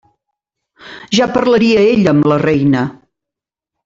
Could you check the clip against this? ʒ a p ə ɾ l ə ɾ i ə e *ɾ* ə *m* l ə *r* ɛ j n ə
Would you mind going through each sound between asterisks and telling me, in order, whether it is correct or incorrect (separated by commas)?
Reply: incorrect, correct, correct